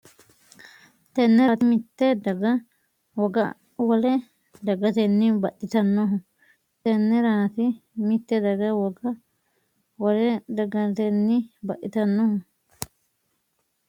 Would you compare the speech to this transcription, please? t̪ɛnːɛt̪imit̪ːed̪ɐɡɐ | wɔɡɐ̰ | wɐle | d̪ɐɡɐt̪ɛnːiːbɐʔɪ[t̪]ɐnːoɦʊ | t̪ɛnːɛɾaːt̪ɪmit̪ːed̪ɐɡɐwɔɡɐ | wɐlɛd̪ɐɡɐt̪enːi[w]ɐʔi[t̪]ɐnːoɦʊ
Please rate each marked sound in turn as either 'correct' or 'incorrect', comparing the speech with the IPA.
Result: correct, incorrect, correct

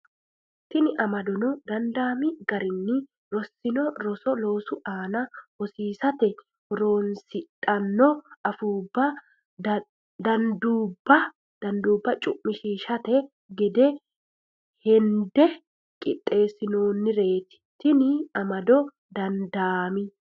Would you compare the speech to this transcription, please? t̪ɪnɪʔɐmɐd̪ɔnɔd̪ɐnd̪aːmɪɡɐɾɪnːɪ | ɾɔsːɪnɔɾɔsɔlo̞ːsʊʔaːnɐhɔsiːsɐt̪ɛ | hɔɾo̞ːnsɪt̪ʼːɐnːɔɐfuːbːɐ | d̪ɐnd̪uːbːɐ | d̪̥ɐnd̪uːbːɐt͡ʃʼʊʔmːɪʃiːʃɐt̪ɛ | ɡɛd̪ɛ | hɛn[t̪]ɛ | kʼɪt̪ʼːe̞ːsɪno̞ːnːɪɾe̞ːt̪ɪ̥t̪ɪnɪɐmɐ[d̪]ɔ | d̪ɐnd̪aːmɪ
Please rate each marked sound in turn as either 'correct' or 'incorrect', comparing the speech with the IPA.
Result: incorrect, correct

